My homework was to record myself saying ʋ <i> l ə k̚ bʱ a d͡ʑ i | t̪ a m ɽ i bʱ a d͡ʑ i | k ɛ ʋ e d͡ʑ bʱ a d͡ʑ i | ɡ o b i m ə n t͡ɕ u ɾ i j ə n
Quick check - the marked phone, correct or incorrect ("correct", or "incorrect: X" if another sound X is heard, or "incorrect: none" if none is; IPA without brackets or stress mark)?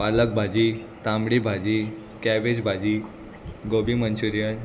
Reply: incorrect: a